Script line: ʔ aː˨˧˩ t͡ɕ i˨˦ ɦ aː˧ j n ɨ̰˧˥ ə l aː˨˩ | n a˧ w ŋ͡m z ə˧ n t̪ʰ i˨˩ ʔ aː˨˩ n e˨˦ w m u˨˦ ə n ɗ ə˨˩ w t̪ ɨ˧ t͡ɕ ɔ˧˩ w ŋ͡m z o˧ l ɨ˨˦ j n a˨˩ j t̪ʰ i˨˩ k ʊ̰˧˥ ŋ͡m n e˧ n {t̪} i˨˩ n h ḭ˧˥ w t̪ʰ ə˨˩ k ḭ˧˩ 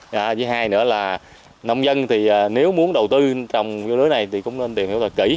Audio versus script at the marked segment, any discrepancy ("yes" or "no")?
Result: no